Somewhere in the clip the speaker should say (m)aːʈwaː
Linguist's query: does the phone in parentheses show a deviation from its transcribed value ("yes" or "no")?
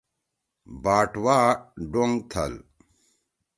yes